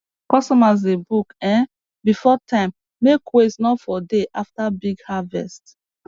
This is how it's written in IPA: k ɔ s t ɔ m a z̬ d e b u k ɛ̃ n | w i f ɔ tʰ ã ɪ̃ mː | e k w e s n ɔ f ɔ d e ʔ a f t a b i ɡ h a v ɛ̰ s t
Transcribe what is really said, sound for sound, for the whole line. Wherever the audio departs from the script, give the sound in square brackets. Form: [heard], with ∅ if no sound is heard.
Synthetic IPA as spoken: k ɔ s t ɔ m a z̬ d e b u k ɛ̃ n | [b] i f ɔ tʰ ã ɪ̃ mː | e k w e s n ɔ f ɔ d e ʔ a f t a b i ɡ h a v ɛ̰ s t